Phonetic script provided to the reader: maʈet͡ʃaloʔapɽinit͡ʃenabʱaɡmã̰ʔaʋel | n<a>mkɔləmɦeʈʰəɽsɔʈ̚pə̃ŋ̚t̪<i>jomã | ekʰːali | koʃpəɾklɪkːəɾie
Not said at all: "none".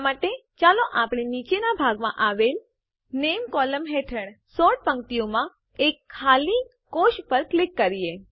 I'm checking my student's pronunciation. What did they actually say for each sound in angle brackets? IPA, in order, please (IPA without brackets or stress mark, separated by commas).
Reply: e, i